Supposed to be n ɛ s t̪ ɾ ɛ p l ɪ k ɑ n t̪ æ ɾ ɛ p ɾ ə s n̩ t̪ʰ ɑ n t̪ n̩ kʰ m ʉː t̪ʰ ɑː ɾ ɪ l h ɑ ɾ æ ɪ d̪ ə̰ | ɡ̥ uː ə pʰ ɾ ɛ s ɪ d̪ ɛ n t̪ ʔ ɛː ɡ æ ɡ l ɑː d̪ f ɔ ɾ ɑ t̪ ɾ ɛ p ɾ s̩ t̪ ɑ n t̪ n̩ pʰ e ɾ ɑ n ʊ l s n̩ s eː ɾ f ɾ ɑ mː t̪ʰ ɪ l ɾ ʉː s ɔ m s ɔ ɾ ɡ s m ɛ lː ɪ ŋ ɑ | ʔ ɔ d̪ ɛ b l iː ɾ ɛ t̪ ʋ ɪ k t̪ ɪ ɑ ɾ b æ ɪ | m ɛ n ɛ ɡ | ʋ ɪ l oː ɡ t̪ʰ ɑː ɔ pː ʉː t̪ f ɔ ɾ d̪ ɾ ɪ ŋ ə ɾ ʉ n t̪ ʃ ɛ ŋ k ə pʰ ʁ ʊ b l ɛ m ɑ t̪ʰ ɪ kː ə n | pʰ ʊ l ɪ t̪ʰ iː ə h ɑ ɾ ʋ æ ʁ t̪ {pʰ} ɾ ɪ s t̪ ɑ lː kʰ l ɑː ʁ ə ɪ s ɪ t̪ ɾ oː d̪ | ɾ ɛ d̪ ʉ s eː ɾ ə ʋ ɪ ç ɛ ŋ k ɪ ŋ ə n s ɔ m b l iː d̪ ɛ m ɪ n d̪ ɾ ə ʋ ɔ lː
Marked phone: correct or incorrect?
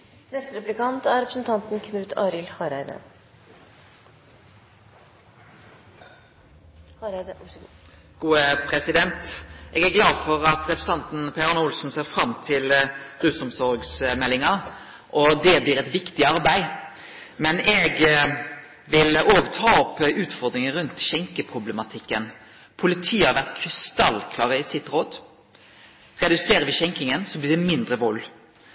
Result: incorrect